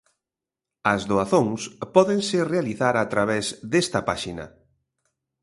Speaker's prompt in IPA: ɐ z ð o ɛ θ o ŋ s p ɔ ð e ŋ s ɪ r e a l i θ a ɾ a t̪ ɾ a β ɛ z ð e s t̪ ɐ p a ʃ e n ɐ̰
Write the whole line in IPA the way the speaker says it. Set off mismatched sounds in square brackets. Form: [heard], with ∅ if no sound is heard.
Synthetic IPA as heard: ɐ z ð o [a] θ o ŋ s p ɔ ð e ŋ s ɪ r e a l i θ a ɾ a t̪ ɾ a β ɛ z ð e s t̪ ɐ p a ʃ [i] n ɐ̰